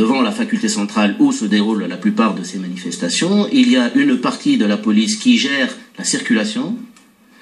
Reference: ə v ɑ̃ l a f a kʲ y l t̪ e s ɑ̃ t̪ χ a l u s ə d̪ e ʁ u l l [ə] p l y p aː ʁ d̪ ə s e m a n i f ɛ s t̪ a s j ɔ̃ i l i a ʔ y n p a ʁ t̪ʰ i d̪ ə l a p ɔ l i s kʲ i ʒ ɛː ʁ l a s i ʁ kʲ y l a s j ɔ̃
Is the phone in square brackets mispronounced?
yes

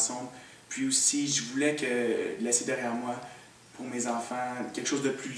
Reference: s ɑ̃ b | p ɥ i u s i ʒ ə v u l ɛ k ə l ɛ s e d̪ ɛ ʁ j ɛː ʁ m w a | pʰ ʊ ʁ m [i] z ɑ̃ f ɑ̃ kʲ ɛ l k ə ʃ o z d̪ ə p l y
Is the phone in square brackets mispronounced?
yes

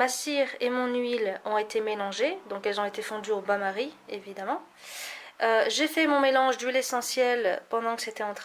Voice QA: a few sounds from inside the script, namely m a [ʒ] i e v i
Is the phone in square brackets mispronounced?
yes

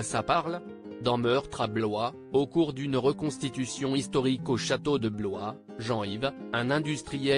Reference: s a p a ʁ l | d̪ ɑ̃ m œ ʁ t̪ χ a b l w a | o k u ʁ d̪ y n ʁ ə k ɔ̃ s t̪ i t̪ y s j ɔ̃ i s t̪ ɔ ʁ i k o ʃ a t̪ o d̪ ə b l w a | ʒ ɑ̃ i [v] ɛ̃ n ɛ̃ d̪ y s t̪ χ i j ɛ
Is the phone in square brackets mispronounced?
no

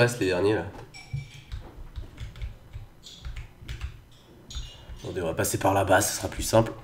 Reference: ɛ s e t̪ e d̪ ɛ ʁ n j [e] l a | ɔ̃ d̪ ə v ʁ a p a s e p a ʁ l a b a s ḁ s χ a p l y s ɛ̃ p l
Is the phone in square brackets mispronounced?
no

